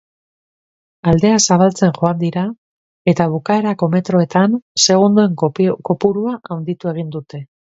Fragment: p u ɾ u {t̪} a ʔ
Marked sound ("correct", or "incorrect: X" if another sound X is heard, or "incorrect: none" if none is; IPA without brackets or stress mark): incorrect: none